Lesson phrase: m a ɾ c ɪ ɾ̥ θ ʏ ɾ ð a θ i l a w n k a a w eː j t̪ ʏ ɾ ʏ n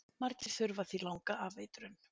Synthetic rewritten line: m a ɾ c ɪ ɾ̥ θ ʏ ɾ v a θ i l a w ŋ k a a v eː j t̪ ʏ ɾ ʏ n